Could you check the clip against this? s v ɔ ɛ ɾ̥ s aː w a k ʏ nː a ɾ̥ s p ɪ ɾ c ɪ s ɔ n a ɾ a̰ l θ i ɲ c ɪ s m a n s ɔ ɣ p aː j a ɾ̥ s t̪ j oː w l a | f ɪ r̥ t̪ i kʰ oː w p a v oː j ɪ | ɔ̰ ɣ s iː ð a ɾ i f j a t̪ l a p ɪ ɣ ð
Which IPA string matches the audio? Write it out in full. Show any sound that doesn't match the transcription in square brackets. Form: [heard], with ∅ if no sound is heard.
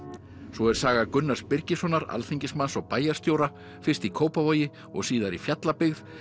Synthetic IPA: s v ɔ ɛ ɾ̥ s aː [ɣ] a k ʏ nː a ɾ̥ s p ɪ ɾ c ɪ s ɔ n a ɾ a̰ l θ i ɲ c ɪ s m a n s ɔ ɣ p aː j a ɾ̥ s t̪ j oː w [ɾ] a | f ɪ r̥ t̪ i kʰ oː w p a v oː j ɪ | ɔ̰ ɣ s iː ð a ɾ i f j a t̪ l a p ɪ ɣ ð

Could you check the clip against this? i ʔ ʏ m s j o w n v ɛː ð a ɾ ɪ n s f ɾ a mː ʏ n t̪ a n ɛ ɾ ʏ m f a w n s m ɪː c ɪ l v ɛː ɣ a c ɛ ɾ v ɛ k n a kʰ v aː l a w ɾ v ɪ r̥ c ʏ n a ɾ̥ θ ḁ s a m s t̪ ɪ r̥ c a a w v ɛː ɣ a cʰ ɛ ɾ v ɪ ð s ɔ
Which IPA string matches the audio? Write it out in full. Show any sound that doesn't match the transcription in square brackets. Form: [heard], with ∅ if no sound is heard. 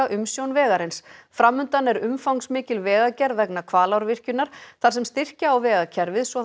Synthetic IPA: [a] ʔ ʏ m s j o w n v ɛː [ɣ] a ɾ ɪ n s f ɾ a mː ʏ n t̪ a n ɛ ɾ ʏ m f a w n s m ɪː c ɪ l v ɛː ɣ a c ɛ ɾ v ɛ k n a kʰ v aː l a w ɾ v ɪ r̥ c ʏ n a ɾ̥ θ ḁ s [ɛ] m s t̪ ɪ r̥ c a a w v ɛː ɣ a cʰ ɛ ɾ v ɪ ð s ɔ

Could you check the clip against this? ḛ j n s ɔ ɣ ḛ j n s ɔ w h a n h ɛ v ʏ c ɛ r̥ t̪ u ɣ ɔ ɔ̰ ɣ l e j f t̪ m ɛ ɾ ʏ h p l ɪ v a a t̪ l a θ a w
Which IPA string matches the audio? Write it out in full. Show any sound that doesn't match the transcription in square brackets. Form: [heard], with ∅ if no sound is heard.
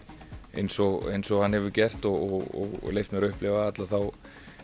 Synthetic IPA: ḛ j n s ɔ ɣ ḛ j n s ɔ [ɣ] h a n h ɛ v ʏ c ɛ r̥ t̪ [ɔ] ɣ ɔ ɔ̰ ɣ l e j f t̪ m ɛ ɾ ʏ h p l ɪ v a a t̪ l a θ a w

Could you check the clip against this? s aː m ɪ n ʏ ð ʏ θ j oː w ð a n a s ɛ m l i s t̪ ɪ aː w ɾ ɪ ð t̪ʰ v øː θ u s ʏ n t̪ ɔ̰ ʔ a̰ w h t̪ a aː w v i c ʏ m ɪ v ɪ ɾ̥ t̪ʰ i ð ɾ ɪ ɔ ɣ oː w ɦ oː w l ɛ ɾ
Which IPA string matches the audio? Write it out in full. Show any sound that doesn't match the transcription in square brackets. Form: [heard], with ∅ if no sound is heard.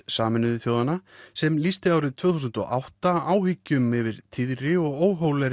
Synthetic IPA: s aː m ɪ n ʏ ð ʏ θ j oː w ð a n a s ɛ m l i s t̪ ɪ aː w ɾ ɪ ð t̪ʰ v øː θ u s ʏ n t̪ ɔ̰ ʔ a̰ w h t̪ a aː w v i c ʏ m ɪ v ɪ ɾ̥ t̪ʰ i ð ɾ ɪ ɔ ɣ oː w ɦ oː w l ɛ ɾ

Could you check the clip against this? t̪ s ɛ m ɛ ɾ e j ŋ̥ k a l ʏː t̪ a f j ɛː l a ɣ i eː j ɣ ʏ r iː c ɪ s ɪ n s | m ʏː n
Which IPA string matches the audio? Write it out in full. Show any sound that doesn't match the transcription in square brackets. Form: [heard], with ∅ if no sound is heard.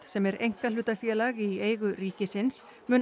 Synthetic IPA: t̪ s ɛ m ɛ ɾ e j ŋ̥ k a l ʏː t̪ a f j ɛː l a ɣ i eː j ɣ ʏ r iː c ɪ s ɪ n s | m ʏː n

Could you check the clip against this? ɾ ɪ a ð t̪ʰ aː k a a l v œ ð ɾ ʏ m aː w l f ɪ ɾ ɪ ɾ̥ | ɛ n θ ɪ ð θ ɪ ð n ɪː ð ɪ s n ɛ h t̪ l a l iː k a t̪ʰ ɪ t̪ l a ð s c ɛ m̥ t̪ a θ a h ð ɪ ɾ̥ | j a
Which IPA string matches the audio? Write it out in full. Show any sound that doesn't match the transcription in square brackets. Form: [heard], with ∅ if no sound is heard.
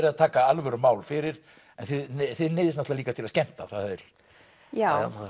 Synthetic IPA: ɾ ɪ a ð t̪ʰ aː k a a l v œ [∅] ɾ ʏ m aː w l f ɪ ɾ ɪ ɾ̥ | ɛ n θ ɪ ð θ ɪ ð n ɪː ð ɪ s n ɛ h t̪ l a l iː k a t̪ʰ ɪ [∅] l a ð s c ɛ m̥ t̪ a θ a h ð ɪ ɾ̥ | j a

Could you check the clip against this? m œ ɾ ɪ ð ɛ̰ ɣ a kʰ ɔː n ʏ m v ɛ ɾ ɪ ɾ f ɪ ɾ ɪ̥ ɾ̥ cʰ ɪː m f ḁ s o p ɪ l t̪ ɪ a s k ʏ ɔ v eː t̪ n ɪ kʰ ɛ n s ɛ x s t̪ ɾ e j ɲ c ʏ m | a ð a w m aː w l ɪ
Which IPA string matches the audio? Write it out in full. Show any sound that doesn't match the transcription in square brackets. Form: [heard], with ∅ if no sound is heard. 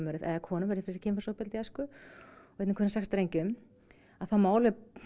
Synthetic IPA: m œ ɾ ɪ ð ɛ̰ [ð] a kʰ ɔː n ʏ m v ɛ ɾ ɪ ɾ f ɪ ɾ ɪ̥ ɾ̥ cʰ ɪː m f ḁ s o p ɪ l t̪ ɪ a s k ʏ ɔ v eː t̪ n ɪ kʰ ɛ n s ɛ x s t̪ ɾ e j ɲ c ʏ m | a [θ] a w m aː w l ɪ

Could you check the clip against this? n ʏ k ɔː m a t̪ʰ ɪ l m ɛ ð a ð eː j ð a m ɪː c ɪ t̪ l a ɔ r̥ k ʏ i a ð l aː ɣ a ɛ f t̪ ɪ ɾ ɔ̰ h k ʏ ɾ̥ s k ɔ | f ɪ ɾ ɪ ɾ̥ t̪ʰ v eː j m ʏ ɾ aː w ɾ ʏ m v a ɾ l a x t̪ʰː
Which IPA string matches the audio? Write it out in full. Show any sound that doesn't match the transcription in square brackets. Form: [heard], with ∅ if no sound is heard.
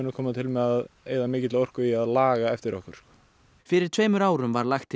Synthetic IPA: n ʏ [kʰ] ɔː m a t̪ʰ ɪ l m ɛ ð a ð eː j ð a m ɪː c ɪ t̪ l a ɔ r̥ k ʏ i a ð l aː ɣ a ɛ f t̪ ɪ ɾ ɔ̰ h k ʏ ɾ̥ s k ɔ | f ɪ ɾ ɪ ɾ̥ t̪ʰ v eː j m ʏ ɾ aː w ɾ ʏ m v a ɾ l a x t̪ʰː

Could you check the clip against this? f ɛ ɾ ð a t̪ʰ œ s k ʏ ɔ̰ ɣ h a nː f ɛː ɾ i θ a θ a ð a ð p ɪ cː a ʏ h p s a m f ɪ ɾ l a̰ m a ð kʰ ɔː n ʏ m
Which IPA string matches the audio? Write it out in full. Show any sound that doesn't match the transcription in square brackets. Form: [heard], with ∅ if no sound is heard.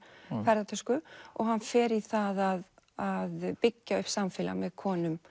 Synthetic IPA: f ɛ ɾ ð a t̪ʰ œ s k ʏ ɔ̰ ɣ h a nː f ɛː ɾ i θ a [ð] a ð a ð p ɪ cː a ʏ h p s a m f ɪ [∅] l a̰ m [ɛ] ð kʰ ɔː n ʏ m

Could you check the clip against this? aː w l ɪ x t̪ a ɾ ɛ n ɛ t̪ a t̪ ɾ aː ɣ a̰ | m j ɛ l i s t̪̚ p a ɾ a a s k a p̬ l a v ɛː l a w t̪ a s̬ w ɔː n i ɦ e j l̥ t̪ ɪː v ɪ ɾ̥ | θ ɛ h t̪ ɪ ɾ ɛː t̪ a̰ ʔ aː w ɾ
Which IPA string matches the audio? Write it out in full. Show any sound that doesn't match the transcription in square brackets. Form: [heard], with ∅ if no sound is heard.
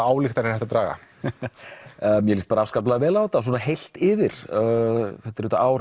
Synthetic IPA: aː w l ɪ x t̪ a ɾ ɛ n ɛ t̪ a t̪ ɾ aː ɣ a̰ | m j ɛ l i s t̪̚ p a ɾ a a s k a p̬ l a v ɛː l a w t̪ a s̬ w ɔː n [a] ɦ e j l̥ t̪ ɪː v ɪ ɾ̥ | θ ɛ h t̪ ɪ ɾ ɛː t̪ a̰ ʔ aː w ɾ

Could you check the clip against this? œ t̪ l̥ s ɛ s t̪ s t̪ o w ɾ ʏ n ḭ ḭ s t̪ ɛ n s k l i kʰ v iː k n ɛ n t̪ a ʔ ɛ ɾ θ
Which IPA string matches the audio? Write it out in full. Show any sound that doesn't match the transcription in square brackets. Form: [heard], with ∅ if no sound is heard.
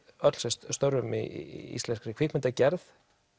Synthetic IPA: œ t̪ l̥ s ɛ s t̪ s t̪ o w ɾ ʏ [m] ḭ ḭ s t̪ ɛ n s k [ɾ] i kʰ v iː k [m] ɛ n t̪ a [c] ɛ ɾ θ

